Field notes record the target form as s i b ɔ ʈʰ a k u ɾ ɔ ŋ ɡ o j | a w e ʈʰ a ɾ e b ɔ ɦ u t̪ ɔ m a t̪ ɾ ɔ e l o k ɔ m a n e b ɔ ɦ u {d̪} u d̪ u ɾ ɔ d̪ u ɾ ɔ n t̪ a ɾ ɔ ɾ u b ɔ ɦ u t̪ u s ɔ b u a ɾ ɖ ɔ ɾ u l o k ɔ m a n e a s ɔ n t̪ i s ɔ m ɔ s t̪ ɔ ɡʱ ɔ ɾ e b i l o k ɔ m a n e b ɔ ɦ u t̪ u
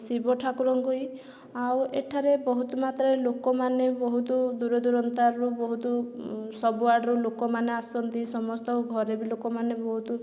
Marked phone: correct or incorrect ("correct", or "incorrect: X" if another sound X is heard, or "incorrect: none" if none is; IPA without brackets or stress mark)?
incorrect: t̪